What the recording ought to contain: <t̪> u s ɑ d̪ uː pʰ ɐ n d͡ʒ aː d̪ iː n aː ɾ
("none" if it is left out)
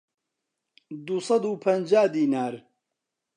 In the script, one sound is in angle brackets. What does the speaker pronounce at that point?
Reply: d̪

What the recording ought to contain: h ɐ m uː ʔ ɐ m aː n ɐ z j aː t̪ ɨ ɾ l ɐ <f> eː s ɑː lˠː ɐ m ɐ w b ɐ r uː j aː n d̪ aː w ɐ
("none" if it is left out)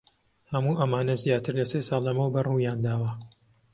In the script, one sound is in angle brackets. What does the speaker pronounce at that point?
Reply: s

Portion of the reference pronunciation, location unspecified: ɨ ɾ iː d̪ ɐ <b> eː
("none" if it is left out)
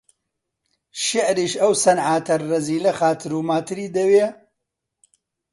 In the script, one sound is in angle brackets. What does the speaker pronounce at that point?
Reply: w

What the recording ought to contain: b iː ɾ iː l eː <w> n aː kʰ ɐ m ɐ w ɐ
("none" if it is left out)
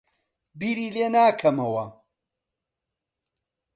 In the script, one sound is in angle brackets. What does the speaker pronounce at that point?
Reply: none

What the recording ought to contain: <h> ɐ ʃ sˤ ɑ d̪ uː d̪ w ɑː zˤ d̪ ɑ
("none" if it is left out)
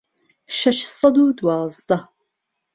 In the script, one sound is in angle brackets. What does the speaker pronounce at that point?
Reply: ʃ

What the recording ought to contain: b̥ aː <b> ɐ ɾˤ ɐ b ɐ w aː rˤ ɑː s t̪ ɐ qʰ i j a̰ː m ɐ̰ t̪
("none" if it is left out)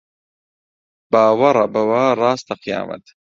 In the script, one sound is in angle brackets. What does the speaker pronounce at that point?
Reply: w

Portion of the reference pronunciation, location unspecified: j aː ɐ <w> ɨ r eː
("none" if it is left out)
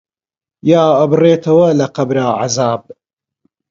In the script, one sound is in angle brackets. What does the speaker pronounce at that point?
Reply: b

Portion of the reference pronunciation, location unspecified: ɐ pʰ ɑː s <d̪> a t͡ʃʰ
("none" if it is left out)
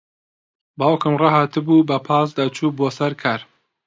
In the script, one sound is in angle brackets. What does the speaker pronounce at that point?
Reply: d̪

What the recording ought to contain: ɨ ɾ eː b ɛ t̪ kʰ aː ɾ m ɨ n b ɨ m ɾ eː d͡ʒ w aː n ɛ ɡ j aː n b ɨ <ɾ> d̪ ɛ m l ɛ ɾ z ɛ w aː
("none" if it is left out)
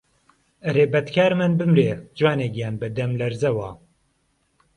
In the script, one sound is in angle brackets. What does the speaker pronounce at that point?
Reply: none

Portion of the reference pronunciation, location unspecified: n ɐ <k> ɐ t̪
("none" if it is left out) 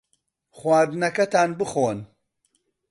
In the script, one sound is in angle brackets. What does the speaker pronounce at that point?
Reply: k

